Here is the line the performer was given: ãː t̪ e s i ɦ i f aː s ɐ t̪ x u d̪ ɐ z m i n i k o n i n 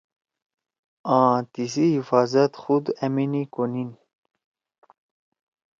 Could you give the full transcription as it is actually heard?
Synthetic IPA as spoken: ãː t̪ i s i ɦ i f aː z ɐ t̪ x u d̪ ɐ m i n i k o n i n